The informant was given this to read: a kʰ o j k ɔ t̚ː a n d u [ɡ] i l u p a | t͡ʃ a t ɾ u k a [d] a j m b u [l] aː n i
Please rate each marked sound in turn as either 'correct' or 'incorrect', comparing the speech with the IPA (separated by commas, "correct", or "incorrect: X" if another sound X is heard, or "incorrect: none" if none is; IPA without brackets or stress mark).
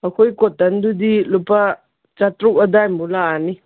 incorrect: d, correct, correct